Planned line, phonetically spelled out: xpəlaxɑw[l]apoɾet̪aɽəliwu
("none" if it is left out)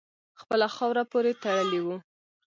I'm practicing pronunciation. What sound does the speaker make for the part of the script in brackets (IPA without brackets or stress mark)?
ɾ